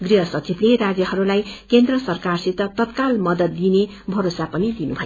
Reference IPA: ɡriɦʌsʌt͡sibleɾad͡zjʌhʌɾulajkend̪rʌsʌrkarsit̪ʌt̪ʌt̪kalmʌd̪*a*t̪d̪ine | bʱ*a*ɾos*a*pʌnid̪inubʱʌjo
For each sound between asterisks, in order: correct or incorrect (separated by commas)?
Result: incorrect, incorrect, correct